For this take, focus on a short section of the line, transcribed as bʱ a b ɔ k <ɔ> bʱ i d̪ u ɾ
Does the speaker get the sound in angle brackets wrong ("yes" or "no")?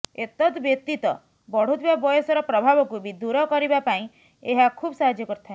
yes